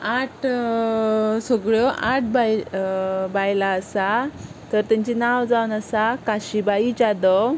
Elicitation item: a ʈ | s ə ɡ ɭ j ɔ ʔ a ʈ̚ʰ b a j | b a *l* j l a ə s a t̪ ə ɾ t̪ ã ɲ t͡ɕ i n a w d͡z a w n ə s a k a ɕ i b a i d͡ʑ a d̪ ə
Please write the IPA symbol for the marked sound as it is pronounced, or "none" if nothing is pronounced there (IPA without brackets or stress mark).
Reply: none